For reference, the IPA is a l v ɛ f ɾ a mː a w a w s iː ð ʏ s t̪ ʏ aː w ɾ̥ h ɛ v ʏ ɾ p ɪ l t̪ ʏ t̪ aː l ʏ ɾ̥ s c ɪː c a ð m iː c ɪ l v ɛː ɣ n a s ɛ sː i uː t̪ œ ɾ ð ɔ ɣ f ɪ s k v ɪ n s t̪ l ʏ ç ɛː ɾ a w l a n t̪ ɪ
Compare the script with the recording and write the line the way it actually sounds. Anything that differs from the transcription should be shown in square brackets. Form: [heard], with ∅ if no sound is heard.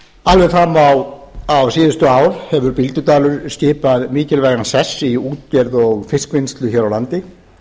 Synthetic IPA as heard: a l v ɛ f ɾ a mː a w a w s iː ð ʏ s t̪ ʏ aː w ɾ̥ h ɛ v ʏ ɾ p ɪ l t̪ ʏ t̪ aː l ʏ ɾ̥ s c ɪː [p] a ð m iː c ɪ l v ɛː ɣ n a s ɛ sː i uː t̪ [ɛ] ɾ ð ɔ ɣ f ɪ s k v ɪ n s t̪ l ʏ ç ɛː ɾ a w l a n t̪ ɪ